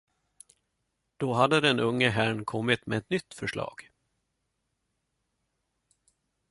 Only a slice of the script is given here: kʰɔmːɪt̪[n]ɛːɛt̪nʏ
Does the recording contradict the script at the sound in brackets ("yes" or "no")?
yes